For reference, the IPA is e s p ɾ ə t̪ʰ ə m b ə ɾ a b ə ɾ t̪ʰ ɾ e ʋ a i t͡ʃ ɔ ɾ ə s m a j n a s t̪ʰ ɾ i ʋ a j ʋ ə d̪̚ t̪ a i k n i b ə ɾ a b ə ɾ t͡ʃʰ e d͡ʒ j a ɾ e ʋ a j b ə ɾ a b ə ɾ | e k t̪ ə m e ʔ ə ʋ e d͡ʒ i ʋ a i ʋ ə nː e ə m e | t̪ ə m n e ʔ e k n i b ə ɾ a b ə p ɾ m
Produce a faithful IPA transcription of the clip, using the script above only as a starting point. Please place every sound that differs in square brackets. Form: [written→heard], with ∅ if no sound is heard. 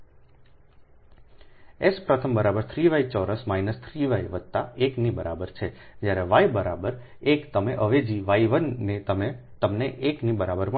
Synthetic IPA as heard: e s p ɾ ə t̪ʰ ə m b ə ɾ a b ə ɾ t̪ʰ ɾ [e→i] ʋ a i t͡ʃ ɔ ɾ ə s m a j n [a→ə] s t̪ʰ ɾ i ʋ a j ʋ ə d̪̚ t̪ a [i→e] k n i b ə ɾ a b ə ɾ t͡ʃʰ e d͡ʒ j a ɾ e ʋ a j b ə ɾ a b ə ɾ | e k t̪ ə m e ʔ ə ʋ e d͡ʒ i ʋ a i ʋ ə nː e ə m e | t̪ ə m n e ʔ e k n i b ə ɾ a b ə [p→∅] ɾ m